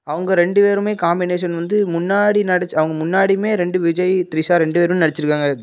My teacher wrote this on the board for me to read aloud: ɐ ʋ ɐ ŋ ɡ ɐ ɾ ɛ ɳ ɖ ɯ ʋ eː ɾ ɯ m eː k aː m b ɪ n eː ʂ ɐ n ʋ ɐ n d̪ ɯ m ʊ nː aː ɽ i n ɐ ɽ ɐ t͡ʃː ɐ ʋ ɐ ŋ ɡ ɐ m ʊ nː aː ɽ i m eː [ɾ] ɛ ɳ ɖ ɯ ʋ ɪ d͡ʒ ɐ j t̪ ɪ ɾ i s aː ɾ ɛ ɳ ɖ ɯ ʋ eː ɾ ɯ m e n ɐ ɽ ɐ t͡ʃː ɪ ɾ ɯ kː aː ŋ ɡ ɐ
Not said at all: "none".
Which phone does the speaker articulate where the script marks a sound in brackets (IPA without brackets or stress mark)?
ɾ